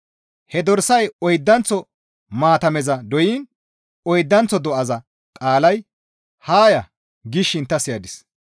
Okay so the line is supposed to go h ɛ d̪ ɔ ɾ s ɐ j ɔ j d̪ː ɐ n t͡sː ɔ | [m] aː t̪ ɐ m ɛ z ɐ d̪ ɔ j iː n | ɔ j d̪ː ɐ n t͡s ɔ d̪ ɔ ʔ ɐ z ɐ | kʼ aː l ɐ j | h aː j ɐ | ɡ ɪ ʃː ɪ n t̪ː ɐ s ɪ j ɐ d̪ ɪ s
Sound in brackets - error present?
no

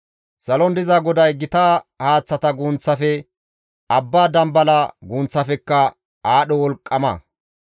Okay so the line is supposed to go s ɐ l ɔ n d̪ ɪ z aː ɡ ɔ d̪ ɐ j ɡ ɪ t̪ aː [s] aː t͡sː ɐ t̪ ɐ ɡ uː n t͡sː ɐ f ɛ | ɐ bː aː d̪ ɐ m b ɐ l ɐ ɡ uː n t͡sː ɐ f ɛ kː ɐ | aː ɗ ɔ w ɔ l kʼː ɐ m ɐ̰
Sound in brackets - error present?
yes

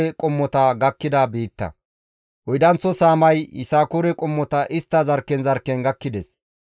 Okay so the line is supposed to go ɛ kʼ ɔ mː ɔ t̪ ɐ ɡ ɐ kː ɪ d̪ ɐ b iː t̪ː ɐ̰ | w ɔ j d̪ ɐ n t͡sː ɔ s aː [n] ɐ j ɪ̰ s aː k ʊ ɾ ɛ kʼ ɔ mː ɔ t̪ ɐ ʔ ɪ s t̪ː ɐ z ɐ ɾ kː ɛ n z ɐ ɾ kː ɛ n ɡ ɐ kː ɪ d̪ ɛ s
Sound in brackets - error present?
yes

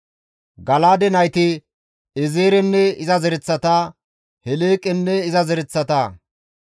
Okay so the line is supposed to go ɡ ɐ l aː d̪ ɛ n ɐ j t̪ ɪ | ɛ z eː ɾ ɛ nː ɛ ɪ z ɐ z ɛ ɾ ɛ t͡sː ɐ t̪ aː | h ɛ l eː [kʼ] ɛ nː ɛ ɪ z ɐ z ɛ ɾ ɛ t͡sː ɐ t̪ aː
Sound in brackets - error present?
no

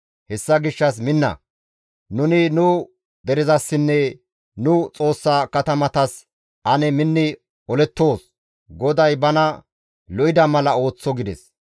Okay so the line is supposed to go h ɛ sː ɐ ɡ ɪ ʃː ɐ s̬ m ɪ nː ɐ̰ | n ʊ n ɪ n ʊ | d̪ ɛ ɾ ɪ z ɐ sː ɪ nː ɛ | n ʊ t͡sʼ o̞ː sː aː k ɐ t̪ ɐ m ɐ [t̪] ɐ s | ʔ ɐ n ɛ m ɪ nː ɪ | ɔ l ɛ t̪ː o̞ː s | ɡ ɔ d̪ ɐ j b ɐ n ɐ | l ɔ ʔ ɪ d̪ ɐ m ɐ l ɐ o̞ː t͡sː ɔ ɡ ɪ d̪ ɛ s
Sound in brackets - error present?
no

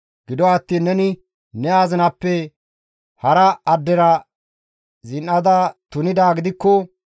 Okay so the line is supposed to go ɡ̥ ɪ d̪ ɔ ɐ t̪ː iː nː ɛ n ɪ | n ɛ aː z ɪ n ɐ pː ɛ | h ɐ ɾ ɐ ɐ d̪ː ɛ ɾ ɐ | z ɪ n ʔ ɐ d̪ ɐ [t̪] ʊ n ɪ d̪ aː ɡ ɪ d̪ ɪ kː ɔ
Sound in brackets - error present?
no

